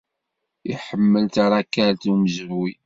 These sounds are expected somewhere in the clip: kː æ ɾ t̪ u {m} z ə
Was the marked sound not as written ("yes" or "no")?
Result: no